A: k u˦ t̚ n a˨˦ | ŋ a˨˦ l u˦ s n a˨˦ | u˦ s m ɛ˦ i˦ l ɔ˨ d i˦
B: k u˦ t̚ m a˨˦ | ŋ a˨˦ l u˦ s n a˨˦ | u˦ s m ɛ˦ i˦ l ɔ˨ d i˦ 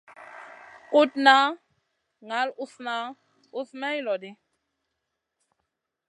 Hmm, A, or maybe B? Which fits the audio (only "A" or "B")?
A